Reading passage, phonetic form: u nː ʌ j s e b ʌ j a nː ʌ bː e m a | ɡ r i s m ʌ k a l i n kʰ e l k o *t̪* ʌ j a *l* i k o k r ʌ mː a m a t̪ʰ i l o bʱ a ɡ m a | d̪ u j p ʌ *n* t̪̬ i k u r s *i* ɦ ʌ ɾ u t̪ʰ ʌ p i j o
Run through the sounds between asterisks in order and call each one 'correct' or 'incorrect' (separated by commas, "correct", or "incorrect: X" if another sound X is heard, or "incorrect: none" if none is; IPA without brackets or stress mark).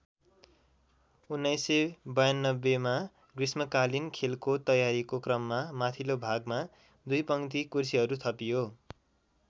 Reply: correct, incorrect: ɾ, incorrect: ŋ, correct